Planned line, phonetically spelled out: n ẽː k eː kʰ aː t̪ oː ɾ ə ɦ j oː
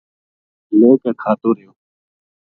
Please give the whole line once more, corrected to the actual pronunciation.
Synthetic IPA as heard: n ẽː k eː kʰ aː t̪ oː ɾ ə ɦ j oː